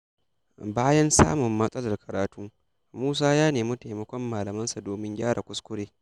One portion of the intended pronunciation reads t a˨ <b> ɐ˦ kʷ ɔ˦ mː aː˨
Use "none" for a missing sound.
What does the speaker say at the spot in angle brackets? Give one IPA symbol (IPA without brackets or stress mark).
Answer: m